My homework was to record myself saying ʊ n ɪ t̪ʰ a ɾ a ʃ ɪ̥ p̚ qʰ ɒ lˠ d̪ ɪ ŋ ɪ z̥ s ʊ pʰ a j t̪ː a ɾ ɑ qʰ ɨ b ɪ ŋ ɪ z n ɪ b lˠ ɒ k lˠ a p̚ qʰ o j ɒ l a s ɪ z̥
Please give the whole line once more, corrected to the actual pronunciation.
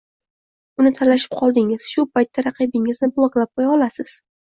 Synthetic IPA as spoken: ʊ n ɪ t̪ʰ a l a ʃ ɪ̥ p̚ qʰ ɒ lˠ d̪ ɪ ŋ ɪ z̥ ʃ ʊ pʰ a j t̪ː a ɾ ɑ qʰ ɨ b ɪ ŋ ɪ z n ɪ b lˠ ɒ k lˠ a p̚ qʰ o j ɒ l a s ɪ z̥